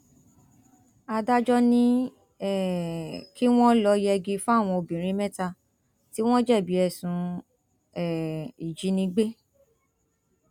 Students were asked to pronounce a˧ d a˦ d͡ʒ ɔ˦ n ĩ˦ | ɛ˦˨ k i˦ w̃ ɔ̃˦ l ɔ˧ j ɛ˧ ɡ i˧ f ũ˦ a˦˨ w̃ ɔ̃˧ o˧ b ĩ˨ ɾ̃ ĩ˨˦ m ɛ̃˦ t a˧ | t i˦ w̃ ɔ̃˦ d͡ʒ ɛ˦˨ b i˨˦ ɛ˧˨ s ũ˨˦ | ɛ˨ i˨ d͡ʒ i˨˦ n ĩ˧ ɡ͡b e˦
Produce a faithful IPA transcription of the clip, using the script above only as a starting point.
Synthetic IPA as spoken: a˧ d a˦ d͡ʒ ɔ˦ n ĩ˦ | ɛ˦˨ k i˦ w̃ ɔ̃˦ l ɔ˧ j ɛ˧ ɡ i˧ f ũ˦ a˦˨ w̃ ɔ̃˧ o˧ b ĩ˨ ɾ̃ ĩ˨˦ m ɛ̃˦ t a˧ | t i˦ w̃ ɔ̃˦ d͡ʒ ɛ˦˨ b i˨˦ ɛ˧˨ s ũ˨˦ | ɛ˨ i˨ d͡ʒ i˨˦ n ĩ˧ ɡ͡b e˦

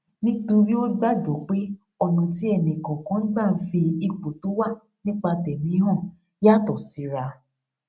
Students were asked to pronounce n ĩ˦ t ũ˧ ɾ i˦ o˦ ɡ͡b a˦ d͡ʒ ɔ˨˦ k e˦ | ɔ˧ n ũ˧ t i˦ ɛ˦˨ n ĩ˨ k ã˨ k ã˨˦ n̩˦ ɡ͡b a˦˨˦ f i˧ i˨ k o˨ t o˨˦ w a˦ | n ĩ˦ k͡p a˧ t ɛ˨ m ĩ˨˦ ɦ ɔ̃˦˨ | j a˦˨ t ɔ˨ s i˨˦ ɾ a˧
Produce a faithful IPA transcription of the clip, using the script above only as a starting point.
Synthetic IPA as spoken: n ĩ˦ t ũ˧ ɾ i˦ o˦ ɡ͡b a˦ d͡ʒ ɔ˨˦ k͡p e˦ | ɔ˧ n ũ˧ t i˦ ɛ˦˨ n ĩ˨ k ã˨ k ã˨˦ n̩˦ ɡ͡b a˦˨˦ f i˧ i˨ k͡p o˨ t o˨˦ w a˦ | n ĩ˦ k͡p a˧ t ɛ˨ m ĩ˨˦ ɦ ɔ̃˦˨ | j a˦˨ t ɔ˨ s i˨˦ ɾ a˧

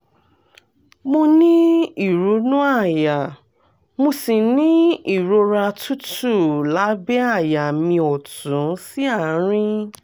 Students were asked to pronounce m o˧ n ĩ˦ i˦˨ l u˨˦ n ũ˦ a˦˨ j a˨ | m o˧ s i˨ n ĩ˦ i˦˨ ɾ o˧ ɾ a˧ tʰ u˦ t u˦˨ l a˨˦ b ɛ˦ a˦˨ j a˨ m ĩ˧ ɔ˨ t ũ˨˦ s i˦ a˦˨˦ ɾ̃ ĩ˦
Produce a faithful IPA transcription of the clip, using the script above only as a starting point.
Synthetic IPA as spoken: m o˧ n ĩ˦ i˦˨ ɾ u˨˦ n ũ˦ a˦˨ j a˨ | m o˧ s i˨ n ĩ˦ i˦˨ ɾ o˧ ɾ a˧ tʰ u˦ t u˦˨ l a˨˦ b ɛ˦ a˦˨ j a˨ m ĩ˧ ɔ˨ t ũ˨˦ s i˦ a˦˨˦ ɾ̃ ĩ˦

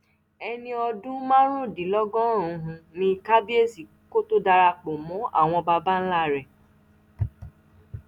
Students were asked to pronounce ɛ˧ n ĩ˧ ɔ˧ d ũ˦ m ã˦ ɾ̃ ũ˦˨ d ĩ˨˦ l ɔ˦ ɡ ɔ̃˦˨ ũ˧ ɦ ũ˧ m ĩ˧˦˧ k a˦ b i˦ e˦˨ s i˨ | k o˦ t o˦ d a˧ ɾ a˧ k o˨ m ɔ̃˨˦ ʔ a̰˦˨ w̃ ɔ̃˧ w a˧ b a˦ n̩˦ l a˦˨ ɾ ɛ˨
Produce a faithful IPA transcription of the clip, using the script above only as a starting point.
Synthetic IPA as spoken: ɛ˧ n ĩ˧ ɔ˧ d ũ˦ m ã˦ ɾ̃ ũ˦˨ d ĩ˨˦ l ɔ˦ ɡ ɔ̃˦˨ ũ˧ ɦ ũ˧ n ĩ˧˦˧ k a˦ b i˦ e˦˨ s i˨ | k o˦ t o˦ d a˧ ɾ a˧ k͡p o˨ m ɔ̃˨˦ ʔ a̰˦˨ w̃ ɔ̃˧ b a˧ b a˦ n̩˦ l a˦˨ ɾ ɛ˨

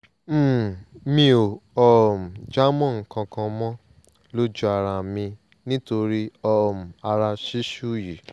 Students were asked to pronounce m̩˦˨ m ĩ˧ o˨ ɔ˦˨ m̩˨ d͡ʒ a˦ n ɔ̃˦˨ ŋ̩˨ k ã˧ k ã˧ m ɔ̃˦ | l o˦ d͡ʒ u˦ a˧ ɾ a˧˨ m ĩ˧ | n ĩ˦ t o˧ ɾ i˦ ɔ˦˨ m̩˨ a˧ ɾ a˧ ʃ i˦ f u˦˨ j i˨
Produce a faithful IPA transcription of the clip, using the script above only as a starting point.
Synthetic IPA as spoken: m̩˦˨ m ĩ˧ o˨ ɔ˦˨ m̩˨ d͡ʒ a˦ m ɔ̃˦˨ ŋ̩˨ k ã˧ k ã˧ m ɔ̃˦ | l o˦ d͡ʒ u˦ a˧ ɾ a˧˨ m ĩ˧ | n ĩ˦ t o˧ ɾ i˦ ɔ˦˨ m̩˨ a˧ ɾ a˧ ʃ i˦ ʃ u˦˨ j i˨

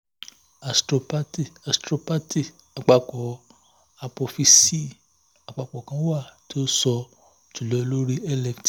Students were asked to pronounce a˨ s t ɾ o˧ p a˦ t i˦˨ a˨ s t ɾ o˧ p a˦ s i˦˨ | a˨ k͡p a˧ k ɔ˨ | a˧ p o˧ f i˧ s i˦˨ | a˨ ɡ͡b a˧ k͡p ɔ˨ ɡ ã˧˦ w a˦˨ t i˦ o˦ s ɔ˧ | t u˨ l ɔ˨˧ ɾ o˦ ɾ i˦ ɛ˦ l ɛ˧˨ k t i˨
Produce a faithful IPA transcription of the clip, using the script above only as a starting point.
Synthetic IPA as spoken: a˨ s t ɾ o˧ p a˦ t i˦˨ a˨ s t ɾ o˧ p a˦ t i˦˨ | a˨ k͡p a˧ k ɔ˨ | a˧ p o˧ f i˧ s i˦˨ | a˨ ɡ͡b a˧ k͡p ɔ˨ k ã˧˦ w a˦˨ t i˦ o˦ s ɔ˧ | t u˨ l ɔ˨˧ l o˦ ɾ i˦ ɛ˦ l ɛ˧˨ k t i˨

